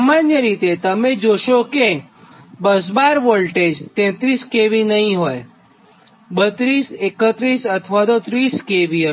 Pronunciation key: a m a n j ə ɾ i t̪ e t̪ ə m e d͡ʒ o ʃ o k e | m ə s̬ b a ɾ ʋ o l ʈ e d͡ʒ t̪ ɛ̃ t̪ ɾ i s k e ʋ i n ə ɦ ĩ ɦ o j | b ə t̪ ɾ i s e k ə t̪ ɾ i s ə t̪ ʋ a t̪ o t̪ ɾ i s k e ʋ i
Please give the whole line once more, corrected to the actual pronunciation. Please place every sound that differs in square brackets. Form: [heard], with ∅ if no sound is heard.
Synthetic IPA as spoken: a m a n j ə ɾ i t̪ e t̪ ə m e d͡ʒ o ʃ o k e | [b] ə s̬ b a ɾ ʋ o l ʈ e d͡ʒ t̪ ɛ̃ t̪ ɾ i s k e ʋ i n ə ɦ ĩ ɦ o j | b ə t̪ ɾ i s e k ə t̪ ɾ i s ə [t̪ʰ] ʋ a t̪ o t̪ ɾ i s k e ʋ i